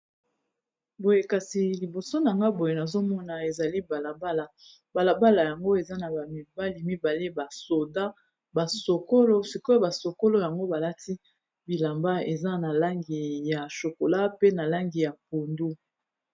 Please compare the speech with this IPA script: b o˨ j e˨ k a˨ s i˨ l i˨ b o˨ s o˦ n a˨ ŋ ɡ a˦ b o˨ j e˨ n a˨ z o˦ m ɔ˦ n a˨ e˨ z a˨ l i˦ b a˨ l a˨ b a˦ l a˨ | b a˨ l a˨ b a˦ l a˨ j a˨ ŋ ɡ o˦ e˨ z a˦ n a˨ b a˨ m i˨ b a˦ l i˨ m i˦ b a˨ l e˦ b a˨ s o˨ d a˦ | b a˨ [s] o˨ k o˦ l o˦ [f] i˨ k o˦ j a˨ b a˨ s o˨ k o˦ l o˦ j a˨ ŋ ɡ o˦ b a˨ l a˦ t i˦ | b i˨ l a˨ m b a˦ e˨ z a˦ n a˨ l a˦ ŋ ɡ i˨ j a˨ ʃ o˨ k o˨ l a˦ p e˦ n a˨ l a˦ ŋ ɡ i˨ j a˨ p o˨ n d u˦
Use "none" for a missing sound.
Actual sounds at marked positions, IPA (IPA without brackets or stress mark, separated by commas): s, s